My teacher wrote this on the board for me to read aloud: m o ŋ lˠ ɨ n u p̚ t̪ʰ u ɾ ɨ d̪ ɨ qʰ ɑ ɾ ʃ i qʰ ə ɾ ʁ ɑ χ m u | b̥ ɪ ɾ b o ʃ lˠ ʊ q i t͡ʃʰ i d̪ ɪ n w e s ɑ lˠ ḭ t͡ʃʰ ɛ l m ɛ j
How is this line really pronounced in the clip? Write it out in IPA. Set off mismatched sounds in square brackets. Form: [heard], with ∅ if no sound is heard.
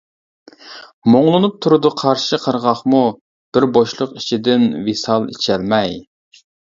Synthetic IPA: m o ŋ lˠ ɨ n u p̚ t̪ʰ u ɾ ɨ d̪ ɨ qʰ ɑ ɾ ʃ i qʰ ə ɾ ʁ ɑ χ m u | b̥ ɪ ɾ b o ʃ lˠ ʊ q i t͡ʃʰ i d̪ ɪ n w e s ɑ lˠ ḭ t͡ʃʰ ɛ l m ɛ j